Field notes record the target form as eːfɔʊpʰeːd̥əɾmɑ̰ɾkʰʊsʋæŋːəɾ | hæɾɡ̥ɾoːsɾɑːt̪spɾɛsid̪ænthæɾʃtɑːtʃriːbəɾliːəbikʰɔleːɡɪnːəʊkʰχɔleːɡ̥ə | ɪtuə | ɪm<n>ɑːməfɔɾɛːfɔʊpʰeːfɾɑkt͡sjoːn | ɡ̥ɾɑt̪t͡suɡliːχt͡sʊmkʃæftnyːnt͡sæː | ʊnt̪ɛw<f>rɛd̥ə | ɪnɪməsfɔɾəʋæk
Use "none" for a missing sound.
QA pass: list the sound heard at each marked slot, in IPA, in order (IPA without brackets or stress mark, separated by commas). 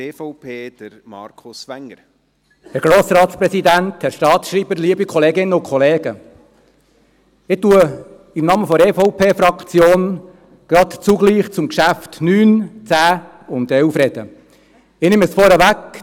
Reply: n, f